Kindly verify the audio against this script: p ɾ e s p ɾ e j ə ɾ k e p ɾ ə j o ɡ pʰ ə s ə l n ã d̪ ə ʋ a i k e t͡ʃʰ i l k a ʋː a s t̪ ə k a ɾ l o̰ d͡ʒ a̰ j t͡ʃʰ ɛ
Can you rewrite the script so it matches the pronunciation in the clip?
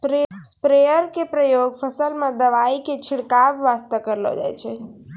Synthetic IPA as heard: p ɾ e s p ɾ e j ə ɾ k e p ɾ ə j o ɡ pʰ ə s ə l m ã d̪ ə ʋ a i k e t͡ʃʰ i ɽ k a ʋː a s t̪ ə k ə ɾ l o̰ d͡ʒ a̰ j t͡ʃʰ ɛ